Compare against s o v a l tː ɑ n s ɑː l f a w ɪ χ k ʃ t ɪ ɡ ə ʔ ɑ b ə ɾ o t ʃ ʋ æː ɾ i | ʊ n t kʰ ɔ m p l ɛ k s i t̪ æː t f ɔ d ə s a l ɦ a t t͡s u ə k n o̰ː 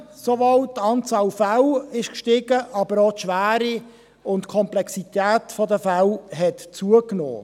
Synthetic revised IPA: s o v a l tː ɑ n t͡s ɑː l f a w ɪ ʃ k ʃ t ɪ ɡ ə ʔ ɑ b ə ɾ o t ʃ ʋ æː ɾ i | ʊ n t kʰ ɔ m p l ɛ k s i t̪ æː t f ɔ d ə f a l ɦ ɛ t t͡s u ə k n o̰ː